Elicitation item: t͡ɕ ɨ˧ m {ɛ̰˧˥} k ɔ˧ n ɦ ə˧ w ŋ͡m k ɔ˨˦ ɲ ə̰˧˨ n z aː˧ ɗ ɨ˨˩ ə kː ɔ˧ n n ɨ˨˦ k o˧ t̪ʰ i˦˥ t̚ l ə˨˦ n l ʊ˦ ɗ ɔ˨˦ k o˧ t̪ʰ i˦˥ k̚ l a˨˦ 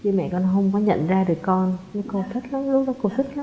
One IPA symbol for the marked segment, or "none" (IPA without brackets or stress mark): ɛ̰˧˨